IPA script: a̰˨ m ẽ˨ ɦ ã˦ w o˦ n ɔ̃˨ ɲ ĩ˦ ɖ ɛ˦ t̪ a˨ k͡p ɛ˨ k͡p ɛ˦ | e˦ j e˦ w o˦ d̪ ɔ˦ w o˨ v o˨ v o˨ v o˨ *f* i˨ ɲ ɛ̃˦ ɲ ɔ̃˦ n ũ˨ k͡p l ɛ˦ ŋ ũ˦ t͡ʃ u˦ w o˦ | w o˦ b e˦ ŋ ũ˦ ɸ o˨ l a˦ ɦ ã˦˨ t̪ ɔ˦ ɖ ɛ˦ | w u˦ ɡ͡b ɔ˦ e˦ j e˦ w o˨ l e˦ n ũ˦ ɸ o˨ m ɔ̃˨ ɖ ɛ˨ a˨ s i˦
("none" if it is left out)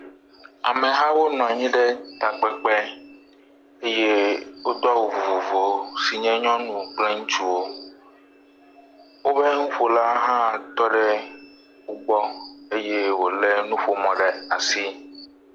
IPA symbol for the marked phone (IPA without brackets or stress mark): s